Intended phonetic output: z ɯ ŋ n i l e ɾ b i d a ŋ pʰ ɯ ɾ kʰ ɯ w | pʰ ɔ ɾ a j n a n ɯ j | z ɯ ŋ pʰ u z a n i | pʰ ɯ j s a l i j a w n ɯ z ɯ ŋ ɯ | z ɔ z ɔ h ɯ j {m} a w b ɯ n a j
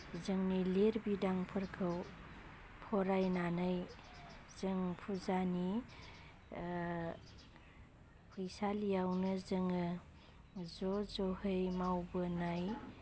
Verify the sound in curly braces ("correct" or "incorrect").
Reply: correct